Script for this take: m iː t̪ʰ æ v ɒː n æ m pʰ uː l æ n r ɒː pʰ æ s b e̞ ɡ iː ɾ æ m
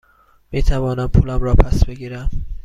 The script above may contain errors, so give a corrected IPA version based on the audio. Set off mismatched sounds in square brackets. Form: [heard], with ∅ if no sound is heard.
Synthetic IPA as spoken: m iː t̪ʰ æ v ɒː n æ m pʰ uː l æ [m] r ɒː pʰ æ s b e̞ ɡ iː ɾ æ m